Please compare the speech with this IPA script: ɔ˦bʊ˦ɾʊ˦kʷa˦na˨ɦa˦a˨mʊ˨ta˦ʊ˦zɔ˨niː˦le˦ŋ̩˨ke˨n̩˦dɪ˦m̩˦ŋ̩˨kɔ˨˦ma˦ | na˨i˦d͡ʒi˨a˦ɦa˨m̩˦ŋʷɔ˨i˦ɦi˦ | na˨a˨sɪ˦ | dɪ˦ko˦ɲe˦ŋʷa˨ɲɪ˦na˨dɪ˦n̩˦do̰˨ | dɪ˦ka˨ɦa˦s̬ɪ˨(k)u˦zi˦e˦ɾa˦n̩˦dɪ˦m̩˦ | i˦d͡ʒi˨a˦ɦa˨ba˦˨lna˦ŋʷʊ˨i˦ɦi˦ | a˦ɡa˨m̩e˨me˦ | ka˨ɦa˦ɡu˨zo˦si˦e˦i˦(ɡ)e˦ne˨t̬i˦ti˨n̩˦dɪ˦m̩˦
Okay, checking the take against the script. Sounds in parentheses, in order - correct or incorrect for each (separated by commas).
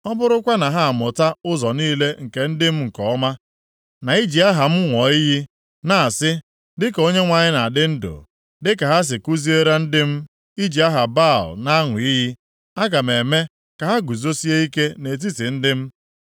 correct, incorrect